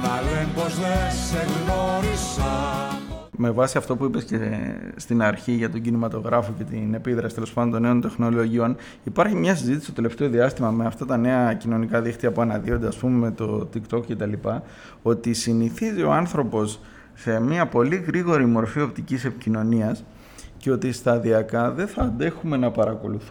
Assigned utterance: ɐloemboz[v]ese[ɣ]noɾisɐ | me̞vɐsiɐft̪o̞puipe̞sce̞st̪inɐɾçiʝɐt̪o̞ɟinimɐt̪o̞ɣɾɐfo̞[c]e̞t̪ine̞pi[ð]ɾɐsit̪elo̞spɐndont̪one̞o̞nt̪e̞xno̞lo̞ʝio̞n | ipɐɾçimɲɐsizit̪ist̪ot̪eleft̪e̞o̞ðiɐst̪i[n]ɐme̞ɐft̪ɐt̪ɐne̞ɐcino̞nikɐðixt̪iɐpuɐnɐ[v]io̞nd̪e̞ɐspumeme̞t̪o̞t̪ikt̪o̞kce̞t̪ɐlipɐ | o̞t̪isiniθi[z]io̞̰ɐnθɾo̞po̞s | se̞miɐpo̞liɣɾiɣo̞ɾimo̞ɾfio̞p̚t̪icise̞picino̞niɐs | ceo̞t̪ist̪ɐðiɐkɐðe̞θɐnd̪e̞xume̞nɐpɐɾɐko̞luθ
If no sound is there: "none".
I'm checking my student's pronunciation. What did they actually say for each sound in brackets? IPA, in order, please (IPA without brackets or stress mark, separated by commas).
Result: ð, ɣ, c, ð, m, ð, z